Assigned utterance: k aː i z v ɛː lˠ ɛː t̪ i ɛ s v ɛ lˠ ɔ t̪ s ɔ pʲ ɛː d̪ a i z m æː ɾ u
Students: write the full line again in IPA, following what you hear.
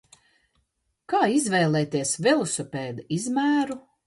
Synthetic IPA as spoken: k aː i z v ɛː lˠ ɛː t̪ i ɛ s v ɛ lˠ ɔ s ɔ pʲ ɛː d̪ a i z m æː ɾ u